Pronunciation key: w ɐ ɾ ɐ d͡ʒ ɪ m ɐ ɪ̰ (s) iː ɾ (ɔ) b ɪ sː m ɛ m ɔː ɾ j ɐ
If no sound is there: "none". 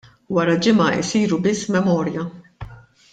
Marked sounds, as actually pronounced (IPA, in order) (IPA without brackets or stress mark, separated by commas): s, u